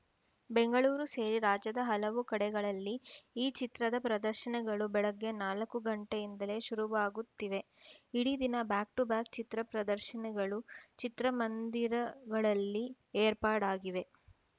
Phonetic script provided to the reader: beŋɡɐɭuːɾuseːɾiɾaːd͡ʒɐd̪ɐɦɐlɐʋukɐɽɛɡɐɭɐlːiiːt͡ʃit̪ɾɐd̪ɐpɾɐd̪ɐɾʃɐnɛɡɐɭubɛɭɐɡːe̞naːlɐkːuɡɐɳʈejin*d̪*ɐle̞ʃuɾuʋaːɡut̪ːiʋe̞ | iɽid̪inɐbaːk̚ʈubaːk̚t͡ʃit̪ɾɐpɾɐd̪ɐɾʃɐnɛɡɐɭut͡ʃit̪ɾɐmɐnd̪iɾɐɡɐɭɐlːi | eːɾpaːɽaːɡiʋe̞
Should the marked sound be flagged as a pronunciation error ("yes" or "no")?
no